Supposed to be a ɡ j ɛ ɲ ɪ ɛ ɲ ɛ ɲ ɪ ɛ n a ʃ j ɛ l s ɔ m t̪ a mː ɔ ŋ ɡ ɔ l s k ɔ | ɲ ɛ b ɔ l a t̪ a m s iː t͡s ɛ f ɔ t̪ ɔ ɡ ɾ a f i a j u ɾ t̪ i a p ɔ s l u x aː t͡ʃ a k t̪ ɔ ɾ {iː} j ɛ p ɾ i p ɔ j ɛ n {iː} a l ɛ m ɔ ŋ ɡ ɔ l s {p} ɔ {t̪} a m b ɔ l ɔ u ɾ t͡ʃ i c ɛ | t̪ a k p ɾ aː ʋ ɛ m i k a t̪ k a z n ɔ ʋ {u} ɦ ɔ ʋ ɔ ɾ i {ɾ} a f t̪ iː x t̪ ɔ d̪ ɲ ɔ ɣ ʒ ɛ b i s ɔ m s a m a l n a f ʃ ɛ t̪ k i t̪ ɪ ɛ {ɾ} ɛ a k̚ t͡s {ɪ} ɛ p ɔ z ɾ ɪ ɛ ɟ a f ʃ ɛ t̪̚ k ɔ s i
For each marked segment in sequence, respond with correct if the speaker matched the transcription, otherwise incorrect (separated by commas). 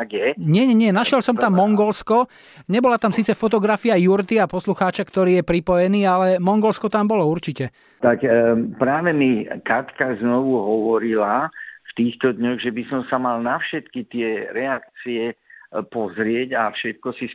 correct, correct, incorrect, correct, correct, incorrect, correct, incorrect